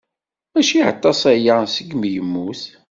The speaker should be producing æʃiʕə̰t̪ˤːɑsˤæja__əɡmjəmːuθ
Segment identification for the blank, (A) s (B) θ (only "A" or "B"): A